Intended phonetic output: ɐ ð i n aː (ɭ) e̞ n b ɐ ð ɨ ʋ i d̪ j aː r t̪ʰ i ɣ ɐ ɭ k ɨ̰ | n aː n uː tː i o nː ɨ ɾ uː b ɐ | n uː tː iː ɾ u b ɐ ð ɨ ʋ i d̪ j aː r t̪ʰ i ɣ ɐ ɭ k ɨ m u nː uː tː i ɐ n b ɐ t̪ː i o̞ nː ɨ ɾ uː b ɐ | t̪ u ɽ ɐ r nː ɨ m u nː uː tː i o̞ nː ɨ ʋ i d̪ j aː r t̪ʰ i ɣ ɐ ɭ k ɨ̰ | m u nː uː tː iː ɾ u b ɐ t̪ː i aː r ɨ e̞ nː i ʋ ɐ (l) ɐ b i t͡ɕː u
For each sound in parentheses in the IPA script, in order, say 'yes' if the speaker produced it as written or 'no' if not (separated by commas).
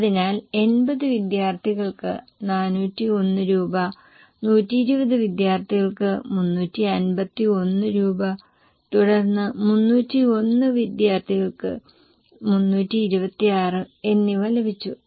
no, yes